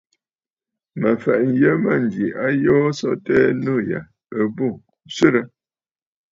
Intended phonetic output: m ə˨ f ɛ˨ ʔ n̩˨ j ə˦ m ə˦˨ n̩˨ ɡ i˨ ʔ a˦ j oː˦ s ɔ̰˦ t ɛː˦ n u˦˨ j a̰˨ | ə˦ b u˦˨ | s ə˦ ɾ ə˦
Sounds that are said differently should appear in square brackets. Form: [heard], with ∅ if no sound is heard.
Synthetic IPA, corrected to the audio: m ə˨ f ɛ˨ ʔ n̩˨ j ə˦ m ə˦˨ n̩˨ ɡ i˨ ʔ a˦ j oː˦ s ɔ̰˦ t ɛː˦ n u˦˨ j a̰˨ | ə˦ b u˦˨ | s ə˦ ɾ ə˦